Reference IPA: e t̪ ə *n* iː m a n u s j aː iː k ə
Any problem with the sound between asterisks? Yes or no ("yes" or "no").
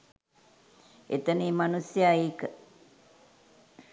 no